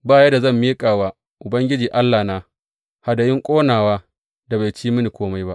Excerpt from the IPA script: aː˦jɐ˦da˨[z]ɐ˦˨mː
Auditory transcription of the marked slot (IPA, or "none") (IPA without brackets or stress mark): z